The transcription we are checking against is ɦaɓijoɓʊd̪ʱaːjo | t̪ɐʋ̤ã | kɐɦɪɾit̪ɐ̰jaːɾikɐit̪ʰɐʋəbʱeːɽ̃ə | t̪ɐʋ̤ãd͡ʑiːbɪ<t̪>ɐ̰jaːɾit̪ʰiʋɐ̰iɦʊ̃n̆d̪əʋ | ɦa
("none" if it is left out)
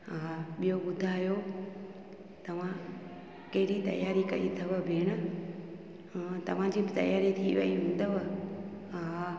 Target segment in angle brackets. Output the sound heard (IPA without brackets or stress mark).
t̪